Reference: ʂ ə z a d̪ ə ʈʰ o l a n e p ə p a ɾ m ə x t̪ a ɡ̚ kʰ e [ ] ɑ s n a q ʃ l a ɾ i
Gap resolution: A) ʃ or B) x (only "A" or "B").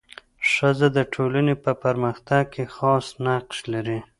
B